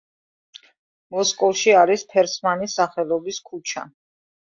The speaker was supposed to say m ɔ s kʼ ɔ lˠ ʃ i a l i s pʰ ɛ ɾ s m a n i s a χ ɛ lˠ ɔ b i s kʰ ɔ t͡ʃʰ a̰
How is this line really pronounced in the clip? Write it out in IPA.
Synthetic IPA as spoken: m ɔ s kʼ ɔ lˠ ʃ i a ɾ i s pʰ ɛ ɾ s m a n i s a χ ɛ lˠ ɔ b i s kʰ u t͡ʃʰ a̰

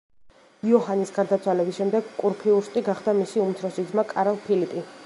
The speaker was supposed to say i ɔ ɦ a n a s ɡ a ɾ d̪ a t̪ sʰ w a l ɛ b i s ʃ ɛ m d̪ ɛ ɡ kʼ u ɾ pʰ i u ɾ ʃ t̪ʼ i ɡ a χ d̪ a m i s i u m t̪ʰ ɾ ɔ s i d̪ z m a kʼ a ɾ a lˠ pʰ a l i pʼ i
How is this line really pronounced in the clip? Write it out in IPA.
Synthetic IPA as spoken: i ɔ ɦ a n i s ɡ a ɾ d̪ a t̪ sʰ w a l ɛ b i s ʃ ɛ m d̪ ɛ ɡ kʼ u ɾ pʰ i u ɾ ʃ t̪ʼ i ɡ a χ d̪ a m i s i u m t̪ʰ ɾ ɔ s i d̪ z m a kʼ a ɾ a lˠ pʰ i l i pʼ i

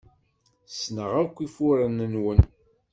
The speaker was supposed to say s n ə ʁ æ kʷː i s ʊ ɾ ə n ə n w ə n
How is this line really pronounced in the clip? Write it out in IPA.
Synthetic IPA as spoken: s n ə ʁ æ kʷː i f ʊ ɾ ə n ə n w ə n

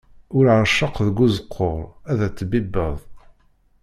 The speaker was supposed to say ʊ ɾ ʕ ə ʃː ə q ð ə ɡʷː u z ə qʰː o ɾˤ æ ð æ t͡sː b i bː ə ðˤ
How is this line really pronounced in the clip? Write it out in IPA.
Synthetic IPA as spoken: ʊ ɾ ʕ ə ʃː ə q ð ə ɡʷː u z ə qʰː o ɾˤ æ ð æ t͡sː b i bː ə ðˤ

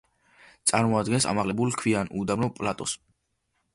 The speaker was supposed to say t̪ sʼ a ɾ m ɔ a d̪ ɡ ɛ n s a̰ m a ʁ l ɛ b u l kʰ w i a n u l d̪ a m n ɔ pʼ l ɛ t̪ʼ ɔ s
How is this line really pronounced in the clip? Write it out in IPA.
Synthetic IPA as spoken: t̪ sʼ a ɾ m ɔ a d̪ ɡ ɛ n s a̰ m a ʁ l ɛ b u l kʰ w i a n u d̪ a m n ɔ pʼ l a t̪ʼ ɔ s

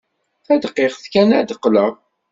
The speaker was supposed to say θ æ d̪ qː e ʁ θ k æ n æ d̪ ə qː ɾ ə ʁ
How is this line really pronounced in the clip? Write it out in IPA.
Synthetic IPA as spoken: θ æ d̪ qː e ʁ θ k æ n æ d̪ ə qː l ə ʁ

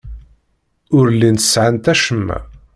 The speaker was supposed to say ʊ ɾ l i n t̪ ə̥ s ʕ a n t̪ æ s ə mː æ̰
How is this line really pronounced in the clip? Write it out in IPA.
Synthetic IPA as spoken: ʊ ɾ l i n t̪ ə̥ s ʕ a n t̪ æ ʃ ə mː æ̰

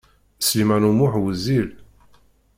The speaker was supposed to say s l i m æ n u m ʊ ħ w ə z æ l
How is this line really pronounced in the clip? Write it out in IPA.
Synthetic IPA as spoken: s l i m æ n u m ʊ ħ w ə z i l

